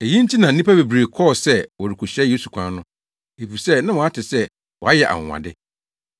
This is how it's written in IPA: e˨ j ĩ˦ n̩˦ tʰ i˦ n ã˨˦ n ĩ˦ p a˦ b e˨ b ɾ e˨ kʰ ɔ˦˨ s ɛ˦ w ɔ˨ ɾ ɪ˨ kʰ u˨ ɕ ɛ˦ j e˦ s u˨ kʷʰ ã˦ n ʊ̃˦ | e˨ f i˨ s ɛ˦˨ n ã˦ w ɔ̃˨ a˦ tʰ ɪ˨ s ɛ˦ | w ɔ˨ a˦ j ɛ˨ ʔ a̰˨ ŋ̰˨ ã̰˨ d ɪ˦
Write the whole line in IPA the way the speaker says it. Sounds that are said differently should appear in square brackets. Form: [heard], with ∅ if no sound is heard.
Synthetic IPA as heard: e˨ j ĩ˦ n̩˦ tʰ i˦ n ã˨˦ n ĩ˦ p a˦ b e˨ b ɾ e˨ kʰ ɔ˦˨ s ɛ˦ w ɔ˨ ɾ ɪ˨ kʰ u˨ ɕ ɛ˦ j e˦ s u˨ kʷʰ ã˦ n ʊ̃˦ | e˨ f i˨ s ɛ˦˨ n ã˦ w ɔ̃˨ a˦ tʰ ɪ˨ s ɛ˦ | w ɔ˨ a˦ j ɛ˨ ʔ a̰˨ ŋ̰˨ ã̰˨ d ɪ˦